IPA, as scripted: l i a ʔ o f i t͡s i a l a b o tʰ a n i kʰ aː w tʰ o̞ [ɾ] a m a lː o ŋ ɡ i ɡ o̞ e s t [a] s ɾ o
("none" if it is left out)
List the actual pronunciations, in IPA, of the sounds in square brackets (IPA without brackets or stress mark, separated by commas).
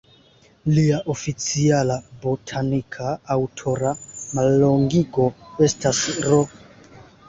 ɾ, a